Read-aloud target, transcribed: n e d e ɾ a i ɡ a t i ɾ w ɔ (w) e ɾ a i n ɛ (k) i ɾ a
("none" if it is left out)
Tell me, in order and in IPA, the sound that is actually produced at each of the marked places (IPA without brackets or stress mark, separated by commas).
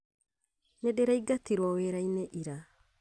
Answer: w, ʔ